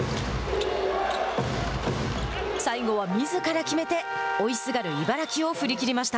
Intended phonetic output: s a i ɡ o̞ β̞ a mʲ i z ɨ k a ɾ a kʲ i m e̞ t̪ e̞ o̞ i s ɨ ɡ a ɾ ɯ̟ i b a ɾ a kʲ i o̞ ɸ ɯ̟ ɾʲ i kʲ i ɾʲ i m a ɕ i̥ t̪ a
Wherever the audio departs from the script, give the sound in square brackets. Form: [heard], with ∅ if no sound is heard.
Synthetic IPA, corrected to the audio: s a i ɡ o̞ β̞ a mʲ i z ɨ k a ɾ a kʲ i m e̞ t̪ e̞ o̞ i s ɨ ɡ a ɾ ɯ̟ i b a ɾ a kʲ i o̞ ɸ ɯ̟ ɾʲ i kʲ i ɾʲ i m a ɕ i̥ t̪ a